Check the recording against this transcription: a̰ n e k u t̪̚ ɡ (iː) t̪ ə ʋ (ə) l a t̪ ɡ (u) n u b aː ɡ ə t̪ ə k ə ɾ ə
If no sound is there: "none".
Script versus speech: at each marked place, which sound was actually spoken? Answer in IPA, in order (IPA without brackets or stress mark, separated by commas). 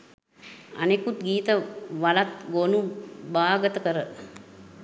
iː, a, o